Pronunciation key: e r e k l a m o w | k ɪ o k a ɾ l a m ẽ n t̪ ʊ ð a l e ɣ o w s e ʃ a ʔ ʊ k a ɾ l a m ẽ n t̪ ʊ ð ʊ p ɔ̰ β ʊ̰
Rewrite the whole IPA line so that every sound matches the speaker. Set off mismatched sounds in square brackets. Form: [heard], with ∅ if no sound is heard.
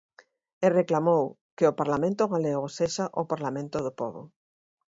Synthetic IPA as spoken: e r e k l a m o w | k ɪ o [p] a ɾ l a m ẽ n t̪ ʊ [ɣ] a l e ɣ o [∅] s e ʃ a ʔ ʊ [p] a ɾ l a m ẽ n t̪ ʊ ð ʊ p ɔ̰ β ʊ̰